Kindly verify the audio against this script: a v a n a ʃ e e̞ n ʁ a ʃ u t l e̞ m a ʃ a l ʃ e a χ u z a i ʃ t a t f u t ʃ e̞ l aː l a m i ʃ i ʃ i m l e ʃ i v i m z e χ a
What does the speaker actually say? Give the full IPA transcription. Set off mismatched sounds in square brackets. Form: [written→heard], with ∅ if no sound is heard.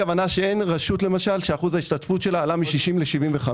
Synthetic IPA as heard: a v a n a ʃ e e̞ n ʁ a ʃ u t l e̞ m a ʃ a l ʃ e a χ u z a i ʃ t a t f u t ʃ e̞ l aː l a m i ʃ i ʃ i m l e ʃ i v i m [z→v] e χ a